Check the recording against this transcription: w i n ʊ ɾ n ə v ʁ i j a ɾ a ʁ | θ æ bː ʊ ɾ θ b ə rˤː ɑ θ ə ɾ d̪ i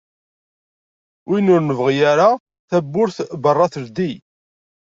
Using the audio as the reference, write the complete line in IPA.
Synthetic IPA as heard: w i n ʊ ɾ n ə v ʁ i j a ɾ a | θ æ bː ʊ ɾ θ b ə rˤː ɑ θ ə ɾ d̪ i